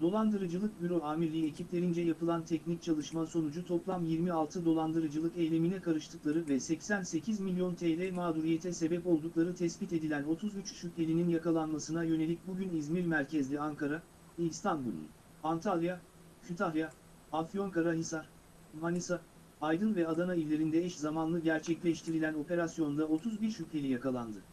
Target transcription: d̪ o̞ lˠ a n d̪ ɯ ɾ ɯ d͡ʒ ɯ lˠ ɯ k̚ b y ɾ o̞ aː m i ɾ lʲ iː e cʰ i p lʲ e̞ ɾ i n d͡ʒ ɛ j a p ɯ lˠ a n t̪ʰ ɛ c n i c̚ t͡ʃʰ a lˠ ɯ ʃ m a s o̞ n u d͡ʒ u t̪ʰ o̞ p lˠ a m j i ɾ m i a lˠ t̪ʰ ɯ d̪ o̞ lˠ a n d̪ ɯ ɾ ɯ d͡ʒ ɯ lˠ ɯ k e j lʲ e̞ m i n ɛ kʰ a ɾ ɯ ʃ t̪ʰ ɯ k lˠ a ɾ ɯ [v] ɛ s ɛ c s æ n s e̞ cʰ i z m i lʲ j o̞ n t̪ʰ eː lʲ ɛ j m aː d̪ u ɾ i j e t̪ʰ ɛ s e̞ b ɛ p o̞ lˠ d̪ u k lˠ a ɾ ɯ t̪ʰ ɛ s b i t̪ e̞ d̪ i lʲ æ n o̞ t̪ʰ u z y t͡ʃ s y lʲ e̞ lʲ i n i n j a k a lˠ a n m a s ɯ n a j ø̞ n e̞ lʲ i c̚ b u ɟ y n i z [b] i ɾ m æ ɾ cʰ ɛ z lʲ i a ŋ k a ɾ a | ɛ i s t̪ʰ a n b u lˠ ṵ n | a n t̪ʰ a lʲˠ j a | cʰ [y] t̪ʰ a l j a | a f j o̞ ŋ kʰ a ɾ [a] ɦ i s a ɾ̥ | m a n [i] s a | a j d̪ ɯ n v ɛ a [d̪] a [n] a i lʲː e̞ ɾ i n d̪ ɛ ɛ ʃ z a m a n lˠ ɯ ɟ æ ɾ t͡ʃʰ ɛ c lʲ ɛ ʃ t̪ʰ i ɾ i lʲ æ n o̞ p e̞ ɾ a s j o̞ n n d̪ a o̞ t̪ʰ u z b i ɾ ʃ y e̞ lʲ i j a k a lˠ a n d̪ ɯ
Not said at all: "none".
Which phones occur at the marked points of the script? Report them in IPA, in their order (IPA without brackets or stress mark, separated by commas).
v, m, y, a, i, d̪, n